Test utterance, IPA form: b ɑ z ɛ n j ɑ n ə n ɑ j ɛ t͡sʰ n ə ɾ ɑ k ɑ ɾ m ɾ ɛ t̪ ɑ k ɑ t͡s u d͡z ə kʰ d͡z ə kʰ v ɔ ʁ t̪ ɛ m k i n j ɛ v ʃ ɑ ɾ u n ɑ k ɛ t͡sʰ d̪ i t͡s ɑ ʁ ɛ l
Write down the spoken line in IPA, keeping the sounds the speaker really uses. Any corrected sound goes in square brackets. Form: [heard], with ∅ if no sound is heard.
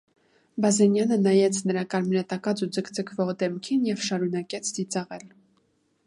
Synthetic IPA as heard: b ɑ z ɛ n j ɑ n ə n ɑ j ɛ t͡sʰ n ə ɾ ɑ k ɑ ɾ m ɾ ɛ t̪ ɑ k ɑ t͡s u d͡z ə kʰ d͡z ə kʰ v ɔ ʁ [d̪] ɛ m [kʰ] i n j ɛ v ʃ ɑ ɾ u n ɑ k ɛ t͡sʰ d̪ i t͡s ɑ ʁ ɛ l